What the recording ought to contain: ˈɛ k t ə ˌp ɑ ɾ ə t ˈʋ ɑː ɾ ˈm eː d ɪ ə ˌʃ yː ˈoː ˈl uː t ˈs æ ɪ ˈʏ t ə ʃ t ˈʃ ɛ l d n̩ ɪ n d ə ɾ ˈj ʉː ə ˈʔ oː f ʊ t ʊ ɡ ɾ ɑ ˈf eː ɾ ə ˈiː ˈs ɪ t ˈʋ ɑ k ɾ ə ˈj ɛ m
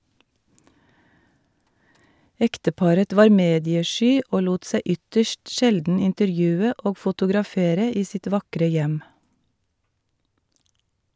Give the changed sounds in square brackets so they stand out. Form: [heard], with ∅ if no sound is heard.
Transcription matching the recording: ˈɛ k t ə ˌp ɑ ɾ ə t ˈʋ ɑː ɾ ˈm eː d ɪ ə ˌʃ yː ˈoː ˈl uː t ˈs æ ɪ ˈʏ t ə ʃ t ˈʃ ɛ l d n̩ ɪ n [t] ə ɾ ˈj ʉː ə ˈʔ oː f ʊ t ʊ ɡ ɾ ɑ ˈf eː ɾ ə ˈiː ˈs ɪ t ˈʋ ɑ k ɾ ə ˈj ɛ m